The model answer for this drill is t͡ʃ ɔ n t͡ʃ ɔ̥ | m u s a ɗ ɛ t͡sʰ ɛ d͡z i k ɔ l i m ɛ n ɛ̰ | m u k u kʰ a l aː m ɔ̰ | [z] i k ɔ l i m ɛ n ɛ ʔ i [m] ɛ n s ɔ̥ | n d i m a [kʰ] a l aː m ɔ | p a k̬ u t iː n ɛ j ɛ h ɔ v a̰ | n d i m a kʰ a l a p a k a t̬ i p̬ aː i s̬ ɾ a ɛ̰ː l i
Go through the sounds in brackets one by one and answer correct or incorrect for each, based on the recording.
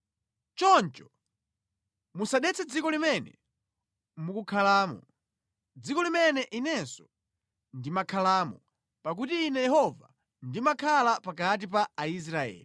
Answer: incorrect: d͡z, incorrect: n, correct

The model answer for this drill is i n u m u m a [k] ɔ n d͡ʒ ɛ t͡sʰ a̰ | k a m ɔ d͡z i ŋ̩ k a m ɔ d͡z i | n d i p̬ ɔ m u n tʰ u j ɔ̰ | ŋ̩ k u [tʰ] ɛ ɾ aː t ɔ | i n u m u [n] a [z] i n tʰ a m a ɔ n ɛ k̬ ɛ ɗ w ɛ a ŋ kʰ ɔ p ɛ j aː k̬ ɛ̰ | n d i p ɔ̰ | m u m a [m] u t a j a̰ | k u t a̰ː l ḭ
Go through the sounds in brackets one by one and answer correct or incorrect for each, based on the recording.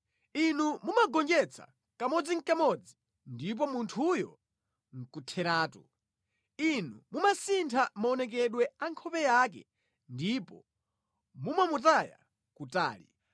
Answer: incorrect: ɡ, correct, incorrect: m, incorrect: s, correct

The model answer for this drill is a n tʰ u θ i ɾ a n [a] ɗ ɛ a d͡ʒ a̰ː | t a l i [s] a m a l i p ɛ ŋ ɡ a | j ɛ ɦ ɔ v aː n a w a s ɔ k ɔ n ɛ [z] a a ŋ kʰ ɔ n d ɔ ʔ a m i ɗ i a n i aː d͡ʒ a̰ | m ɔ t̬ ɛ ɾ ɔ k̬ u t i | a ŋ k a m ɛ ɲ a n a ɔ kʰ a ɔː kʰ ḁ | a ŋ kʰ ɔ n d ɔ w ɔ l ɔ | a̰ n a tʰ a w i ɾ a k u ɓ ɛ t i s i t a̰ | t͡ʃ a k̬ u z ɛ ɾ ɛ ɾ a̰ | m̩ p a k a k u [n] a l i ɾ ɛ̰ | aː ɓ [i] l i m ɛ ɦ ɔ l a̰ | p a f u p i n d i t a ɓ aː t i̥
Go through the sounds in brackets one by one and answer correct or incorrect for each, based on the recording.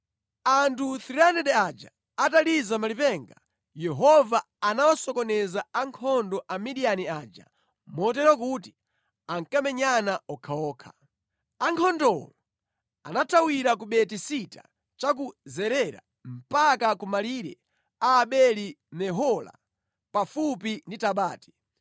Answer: incorrect: ɛ, incorrect: z, correct, incorrect: m, incorrect: ɛ

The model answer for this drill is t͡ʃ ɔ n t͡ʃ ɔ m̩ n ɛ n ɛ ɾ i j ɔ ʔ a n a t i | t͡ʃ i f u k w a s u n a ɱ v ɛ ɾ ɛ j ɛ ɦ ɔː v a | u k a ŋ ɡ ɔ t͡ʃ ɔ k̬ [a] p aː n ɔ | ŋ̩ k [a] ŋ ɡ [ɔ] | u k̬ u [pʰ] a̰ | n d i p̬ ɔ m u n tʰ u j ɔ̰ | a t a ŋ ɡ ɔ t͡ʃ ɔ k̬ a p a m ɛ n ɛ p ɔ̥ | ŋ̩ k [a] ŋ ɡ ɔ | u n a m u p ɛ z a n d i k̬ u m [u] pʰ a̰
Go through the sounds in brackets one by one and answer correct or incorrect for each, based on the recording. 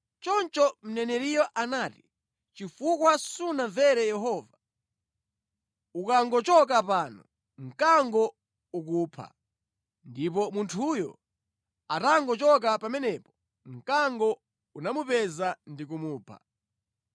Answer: correct, correct, correct, correct, correct, incorrect: uː

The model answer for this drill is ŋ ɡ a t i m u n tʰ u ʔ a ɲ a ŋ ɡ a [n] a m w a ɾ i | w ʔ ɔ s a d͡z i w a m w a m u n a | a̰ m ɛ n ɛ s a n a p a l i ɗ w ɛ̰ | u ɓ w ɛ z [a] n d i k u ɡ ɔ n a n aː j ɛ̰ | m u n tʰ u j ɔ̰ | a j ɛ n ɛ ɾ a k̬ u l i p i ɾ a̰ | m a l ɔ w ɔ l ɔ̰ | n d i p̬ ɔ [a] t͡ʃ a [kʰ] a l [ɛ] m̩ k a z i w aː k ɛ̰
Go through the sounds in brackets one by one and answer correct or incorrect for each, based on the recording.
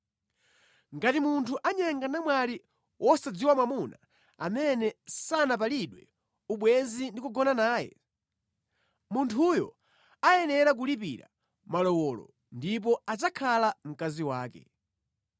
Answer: correct, incorrect: i, correct, correct, incorrect: a

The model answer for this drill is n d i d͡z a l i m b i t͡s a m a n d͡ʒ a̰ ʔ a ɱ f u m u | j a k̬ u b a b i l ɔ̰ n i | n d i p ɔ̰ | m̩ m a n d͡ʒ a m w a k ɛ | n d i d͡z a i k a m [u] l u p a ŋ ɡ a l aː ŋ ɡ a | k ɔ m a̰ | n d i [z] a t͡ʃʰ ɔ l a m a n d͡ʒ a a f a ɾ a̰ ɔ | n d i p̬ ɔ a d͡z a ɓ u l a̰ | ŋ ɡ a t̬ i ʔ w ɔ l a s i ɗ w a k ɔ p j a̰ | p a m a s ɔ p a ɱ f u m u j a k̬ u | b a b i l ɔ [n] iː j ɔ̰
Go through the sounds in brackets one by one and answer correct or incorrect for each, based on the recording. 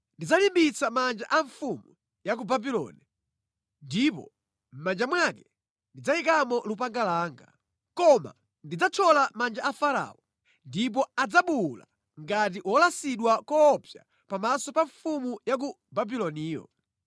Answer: incorrect: ɔ, incorrect: d͡z, correct

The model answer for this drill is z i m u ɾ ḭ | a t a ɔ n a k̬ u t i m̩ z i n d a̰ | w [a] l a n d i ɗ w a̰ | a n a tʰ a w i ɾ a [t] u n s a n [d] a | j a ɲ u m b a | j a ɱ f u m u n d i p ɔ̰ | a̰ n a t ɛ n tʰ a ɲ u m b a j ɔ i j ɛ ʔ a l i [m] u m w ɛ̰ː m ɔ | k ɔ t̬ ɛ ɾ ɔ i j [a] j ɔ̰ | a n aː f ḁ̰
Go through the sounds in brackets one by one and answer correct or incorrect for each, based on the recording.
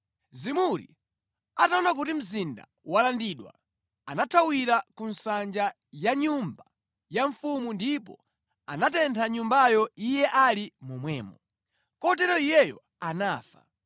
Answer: correct, incorrect: k, incorrect: d͡ʒ, correct, incorrect: ɛ

